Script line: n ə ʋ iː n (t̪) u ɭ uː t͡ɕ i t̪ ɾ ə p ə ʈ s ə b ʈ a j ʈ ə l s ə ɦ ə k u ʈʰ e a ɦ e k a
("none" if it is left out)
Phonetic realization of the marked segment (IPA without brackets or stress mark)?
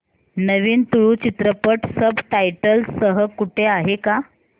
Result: t̪